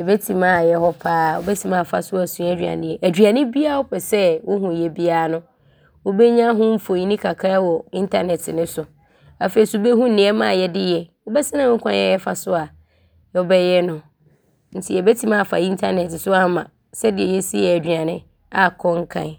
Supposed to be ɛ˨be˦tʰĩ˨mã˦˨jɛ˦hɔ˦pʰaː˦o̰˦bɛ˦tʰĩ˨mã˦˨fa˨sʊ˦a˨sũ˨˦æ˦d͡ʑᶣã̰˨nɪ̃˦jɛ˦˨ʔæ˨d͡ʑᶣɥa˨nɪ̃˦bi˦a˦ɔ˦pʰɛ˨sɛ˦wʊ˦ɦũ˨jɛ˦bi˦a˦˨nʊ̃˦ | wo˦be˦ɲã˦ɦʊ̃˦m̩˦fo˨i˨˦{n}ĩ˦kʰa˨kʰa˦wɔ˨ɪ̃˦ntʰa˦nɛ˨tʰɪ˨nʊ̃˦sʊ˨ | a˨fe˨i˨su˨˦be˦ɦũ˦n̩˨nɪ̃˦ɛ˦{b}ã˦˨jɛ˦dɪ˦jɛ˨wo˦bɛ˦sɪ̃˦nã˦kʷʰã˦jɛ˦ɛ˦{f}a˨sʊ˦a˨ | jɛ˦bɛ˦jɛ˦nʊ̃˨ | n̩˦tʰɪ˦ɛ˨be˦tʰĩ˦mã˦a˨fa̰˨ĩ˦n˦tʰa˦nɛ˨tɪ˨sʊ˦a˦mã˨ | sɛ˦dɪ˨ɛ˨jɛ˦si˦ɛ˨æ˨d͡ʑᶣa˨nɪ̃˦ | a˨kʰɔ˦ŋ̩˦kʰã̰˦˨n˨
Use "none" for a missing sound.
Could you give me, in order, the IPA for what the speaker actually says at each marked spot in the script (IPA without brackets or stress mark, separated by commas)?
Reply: n, m, f